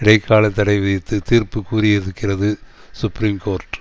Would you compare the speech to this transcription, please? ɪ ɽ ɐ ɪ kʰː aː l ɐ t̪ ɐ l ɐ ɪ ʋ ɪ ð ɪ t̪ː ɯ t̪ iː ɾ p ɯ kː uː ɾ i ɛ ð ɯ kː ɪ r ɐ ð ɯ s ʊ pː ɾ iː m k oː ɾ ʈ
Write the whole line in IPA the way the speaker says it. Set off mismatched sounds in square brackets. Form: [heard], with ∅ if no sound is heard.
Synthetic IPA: ɪ ɽ ɐ ɪ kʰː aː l ɐ t̪ ɐ [ɽ] ɐ ɪ ʋ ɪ ð ɪ t̪ː ɯ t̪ iː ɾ p ɯ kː uː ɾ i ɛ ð ɯ kː ɪ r ɐ ð ɯ s ʊ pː ɾ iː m k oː ɾ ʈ